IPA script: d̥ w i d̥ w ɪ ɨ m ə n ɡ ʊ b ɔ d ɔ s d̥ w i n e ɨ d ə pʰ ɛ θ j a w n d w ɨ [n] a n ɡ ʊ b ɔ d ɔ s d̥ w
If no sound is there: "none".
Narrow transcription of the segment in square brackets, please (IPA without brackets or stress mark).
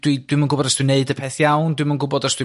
m